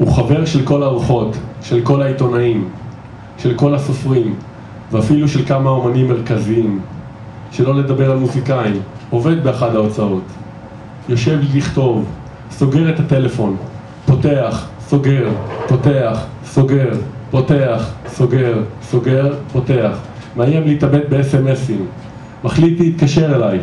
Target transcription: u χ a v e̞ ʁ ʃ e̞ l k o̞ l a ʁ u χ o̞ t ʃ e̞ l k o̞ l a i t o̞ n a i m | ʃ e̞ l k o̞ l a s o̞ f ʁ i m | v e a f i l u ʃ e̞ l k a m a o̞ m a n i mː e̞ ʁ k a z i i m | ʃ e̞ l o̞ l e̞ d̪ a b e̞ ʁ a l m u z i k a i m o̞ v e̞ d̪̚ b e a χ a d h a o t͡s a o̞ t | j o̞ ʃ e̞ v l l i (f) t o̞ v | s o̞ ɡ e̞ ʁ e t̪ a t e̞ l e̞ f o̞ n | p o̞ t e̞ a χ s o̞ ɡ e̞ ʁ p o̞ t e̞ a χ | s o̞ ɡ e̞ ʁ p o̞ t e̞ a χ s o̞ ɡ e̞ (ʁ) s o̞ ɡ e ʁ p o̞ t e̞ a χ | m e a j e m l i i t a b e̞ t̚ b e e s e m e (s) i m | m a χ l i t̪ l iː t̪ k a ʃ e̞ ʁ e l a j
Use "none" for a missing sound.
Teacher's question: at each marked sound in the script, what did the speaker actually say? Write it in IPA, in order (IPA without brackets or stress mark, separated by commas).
χ, ʁ, s